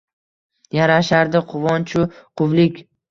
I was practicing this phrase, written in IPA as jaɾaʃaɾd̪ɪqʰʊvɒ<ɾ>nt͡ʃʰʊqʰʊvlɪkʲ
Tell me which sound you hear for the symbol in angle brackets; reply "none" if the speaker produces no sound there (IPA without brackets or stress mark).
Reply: none